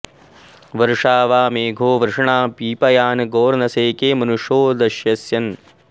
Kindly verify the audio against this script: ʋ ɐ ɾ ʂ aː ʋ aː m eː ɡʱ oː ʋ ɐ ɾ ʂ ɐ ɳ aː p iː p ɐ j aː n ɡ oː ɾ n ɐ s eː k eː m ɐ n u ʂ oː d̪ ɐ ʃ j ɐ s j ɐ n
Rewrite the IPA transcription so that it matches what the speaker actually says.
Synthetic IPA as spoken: ʋ ɐ ɾ ʂ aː ʋ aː m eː ɡʱ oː ʋ ɐ ɾ ʂ ɐ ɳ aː p iː p ɐ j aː n ɡ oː ɾ n ɐ s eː k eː m ɐ n u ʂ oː d̪ ɐ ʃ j ɐ s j ɐ n